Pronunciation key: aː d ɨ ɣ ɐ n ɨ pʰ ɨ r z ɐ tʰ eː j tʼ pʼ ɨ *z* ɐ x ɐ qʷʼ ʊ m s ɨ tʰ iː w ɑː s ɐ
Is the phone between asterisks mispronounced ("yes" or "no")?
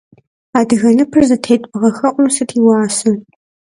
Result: yes